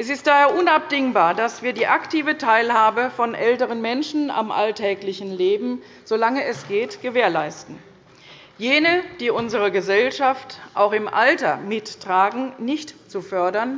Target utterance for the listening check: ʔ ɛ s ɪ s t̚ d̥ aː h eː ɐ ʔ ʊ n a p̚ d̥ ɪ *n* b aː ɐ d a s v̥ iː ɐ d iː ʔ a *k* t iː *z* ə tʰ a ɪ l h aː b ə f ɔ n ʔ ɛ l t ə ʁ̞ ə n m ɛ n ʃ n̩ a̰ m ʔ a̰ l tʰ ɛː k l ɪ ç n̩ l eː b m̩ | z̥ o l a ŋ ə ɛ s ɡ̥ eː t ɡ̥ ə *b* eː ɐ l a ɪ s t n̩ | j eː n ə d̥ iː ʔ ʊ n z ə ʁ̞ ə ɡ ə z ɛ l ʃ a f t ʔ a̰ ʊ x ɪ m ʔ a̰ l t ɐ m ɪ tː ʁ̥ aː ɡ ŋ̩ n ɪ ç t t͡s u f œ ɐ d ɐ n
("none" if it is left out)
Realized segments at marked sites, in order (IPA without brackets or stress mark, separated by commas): ŋ, k, v, v